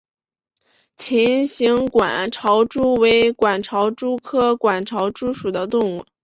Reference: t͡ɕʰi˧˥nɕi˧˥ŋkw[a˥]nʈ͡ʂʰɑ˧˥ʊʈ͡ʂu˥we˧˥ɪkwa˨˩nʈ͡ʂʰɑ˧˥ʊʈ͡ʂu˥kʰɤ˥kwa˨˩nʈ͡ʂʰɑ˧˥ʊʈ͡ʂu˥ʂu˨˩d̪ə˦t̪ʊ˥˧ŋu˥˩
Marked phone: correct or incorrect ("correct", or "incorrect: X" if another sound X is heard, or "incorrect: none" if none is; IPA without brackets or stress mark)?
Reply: incorrect: a˨˩